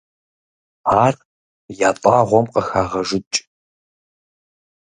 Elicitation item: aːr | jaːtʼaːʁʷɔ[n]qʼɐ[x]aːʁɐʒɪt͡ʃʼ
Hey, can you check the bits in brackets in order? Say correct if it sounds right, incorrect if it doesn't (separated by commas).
incorrect, correct